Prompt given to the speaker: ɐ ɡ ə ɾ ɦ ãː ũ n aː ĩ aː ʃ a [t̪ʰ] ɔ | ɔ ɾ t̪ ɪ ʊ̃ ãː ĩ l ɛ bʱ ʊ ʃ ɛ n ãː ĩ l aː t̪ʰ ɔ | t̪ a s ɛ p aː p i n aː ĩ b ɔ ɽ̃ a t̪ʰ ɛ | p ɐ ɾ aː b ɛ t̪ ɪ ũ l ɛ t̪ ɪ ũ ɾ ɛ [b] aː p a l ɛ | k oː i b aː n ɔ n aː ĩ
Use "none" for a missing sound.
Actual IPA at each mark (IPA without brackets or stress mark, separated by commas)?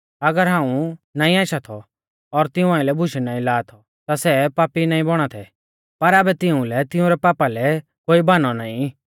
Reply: t̪ʰ, p